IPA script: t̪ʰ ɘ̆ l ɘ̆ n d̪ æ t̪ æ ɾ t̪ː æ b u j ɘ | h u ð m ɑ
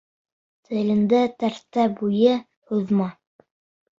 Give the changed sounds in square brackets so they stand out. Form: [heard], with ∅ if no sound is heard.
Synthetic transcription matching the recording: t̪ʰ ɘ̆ l ɘ̆ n d̪ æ t̪ æ ɾ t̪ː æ b u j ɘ | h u ð m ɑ